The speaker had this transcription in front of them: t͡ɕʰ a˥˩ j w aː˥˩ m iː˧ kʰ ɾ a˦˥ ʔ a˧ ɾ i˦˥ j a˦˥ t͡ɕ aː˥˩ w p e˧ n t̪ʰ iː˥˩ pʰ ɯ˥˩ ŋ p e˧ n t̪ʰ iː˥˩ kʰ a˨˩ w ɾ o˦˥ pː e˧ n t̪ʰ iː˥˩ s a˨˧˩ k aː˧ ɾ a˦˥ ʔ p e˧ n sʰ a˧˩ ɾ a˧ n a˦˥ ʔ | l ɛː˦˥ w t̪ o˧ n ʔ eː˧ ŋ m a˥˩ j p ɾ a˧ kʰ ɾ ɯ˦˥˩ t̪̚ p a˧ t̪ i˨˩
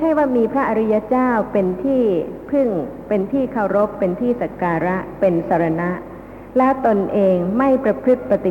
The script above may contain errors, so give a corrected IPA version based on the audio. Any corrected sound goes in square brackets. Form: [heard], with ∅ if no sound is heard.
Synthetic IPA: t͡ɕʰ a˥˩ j w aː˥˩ m iː˧ [pʰ] ɾ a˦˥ ʔ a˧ ɾ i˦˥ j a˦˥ t͡ɕ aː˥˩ w p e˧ n t̪ʰ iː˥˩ pʰ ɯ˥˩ ŋ p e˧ n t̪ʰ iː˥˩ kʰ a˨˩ w ɾ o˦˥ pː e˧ n t̪ʰ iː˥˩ s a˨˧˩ k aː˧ ɾ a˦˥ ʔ p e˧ n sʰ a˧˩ ɾ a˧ n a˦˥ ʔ | l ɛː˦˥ w t̪ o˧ n ʔ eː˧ ŋ m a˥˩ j p ɾ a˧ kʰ ɾ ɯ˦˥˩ t̪̚ p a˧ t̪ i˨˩